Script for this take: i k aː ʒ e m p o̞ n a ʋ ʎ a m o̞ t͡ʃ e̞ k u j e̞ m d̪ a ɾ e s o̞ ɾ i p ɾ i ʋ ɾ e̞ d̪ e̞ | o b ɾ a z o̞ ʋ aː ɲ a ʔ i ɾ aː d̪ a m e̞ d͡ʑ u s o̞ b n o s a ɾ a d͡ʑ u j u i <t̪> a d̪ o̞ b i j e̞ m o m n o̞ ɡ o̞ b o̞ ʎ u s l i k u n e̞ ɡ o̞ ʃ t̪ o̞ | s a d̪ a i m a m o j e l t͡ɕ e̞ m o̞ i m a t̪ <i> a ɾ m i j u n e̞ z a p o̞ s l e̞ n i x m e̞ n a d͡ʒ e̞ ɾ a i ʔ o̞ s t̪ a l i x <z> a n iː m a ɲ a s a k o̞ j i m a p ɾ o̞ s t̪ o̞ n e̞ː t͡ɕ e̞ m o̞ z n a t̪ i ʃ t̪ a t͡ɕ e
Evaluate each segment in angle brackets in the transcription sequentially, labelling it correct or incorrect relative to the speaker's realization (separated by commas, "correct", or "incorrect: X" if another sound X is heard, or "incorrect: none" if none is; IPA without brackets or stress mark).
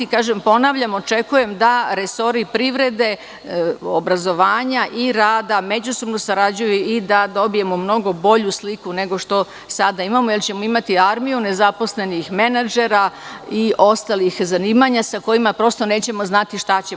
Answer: incorrect: d̪, correct, correct